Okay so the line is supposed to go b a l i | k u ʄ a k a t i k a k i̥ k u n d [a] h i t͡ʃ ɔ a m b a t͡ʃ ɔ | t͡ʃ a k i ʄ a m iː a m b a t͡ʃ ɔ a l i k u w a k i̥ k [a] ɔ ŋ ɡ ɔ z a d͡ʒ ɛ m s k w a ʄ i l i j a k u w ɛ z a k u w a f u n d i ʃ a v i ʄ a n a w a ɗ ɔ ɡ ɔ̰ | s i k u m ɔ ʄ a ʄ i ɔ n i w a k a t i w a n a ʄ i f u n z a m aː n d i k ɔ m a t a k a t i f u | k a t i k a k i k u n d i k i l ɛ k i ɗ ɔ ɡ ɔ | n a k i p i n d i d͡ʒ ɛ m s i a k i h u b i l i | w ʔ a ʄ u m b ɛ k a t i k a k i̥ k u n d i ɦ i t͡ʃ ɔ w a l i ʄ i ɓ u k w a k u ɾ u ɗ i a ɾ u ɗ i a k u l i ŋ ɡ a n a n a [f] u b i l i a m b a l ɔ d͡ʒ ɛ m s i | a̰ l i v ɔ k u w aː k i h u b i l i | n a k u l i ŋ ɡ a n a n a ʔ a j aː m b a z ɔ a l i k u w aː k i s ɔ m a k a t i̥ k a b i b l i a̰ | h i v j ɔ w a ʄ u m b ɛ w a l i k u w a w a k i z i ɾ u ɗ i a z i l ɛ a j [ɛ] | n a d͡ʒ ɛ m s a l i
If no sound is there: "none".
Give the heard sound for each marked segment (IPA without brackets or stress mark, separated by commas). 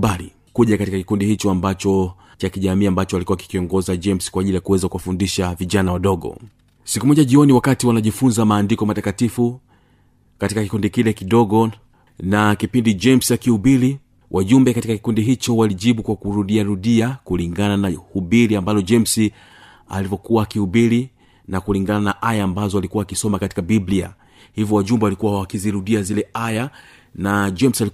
i, i, h, a